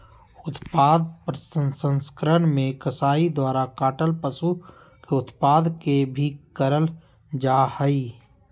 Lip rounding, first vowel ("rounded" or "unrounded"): rounded